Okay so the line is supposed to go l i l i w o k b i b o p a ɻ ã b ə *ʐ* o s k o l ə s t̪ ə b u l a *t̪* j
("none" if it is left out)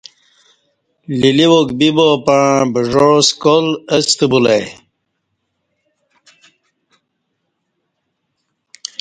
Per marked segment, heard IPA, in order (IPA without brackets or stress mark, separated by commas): ʐ, none